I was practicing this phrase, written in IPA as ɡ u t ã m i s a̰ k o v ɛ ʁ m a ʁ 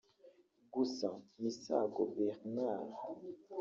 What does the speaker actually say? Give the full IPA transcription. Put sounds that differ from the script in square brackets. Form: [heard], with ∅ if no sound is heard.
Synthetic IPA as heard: ɡ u [s] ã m i s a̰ [ɡ] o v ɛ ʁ [n] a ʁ